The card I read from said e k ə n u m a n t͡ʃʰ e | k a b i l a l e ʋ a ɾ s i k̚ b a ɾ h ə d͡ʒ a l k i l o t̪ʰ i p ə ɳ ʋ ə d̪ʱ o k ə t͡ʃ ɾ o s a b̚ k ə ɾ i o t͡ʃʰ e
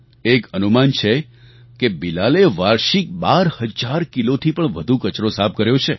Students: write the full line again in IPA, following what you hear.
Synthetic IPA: e k ə n u m a n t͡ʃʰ e | k e b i l a l e ʋ a ɾ ʃ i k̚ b a ɾ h ə d͡ʒ a ɾ k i l o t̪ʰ i p ə ɳ ʋ ə d̪ʱ u k ə t͡ʃ ɾ o s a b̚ k ə ɾ j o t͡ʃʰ e

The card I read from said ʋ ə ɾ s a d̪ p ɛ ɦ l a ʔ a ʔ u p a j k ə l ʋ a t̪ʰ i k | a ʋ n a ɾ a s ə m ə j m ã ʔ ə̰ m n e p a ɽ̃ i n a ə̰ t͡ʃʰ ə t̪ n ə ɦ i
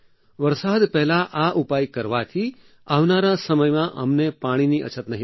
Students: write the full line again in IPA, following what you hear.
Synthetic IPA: ʋ ə ɾ s a d̪ p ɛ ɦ l a ʔ a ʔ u p a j k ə ɾ ʋ a t̪ʰ i | a ʋ n a ɾ a s ə m ə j m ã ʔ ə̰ m n e p a ɽ̃ i n i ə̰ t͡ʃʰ ə t̪ n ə ɦ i

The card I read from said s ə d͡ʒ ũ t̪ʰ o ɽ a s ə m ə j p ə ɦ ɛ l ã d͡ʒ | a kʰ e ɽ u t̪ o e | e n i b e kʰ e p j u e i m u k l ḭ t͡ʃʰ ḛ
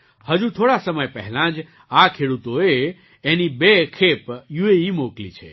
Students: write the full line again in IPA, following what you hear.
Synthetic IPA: h ə d͡ʒ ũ t̪ʰ o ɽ a s ə m ə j p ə ɦ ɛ l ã d͡ʒ | a kʰ e ɽ u t̪ o e | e n i b e kʰ e p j u e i m o k l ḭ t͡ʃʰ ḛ

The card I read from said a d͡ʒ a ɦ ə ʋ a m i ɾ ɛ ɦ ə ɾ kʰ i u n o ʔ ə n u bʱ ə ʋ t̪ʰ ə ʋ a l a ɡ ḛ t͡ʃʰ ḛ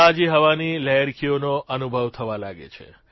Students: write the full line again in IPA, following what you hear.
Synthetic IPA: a d͡ʒ i ɦ ə ʋ a n i l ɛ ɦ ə ɾ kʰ i o n o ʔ ə n u bʱ ə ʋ t̪ʰ ə ʋ a l a ɡ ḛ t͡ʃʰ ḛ

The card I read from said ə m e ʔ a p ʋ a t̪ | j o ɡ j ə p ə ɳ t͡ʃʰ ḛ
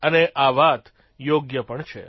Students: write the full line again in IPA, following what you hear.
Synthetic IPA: ə n e ʔ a ʋ a t̪ | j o ɡ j ə p ə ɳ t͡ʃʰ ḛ

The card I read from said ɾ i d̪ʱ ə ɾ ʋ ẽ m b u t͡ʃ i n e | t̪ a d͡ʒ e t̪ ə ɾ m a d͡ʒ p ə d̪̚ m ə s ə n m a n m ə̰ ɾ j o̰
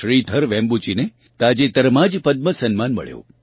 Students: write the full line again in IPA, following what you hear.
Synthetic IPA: ɾ i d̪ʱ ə ɾ ʋ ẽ m b u t͡ʃ i n e | t̪ a d͡ʒ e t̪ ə ɾ m a d͡ʒ p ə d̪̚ m ə s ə n m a n m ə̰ ɭ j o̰

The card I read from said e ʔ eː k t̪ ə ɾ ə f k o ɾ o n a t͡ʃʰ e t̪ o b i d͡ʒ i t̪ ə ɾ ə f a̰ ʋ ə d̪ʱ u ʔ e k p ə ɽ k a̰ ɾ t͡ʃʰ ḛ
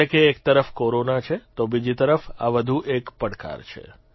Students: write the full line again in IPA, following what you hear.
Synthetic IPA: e k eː k t̪ ə ɾ ə f k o ɾ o n a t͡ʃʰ e t̪ o b i d͡ʒ i t̪ ə ɾ ə f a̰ ʋ ə d̪ʱ u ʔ e k p ə ɽ k a̰ ɾ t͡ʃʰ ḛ

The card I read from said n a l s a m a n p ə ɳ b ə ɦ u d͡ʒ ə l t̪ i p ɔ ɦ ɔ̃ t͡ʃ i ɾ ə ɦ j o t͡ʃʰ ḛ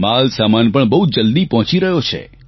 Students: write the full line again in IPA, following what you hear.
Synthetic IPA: m a l s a m a n p ə ɳ b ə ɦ u d͡ʒ ə l d̪ i p ɔ ɦ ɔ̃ t͡ʃ i ɾ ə ɦ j o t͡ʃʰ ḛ

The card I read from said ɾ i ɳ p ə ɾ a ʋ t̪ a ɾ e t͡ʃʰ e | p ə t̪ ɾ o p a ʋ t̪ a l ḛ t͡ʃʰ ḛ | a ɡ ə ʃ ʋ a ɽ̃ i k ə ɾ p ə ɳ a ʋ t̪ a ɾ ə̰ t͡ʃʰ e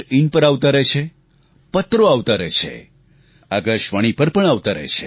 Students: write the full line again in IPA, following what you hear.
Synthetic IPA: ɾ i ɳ p ə ɾ a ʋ t̪ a ɾ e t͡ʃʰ e | p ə t̪ ɾ o a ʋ t̪ a ɾ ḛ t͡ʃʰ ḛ | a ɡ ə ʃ ʋ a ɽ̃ i p ə ɾ p ə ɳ a ʋ t̪ a ɾ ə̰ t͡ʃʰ e

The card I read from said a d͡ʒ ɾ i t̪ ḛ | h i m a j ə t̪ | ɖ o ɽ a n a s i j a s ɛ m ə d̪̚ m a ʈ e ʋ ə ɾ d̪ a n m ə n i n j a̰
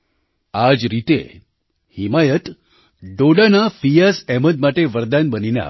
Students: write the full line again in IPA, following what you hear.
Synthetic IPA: a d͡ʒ ɾ i t̪ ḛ | h i m a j ə t̪ | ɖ o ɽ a n a f i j a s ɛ m ə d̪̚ m a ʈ e ʋ ə ɾ d̪ a n b ə n i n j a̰

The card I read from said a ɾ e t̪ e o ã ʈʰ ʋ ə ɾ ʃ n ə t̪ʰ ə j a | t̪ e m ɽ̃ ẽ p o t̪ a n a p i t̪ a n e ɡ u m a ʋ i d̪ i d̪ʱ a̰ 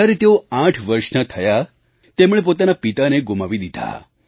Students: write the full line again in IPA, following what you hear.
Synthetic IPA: a ɾ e t̪ e o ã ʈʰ ʋ ə ɾ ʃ n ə t̪ʰ ə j a | t̪ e m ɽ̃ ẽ p o t̪ a n a p i t̪ a n e ɡ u m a ʋ i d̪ i d̪ʱ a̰

